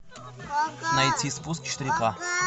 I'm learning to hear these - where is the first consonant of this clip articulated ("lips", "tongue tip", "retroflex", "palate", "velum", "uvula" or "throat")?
tongue tip